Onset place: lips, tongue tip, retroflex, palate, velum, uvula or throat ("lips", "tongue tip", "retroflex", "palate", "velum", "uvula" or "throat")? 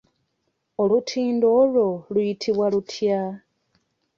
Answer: tongue tip